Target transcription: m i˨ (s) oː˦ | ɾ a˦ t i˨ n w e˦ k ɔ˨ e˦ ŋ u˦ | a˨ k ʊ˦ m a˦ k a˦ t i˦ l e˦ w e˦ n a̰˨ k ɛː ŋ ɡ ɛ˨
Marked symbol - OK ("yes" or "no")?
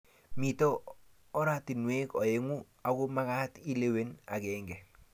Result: no